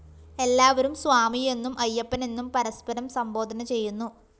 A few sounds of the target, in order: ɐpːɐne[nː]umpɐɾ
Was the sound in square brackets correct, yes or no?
yes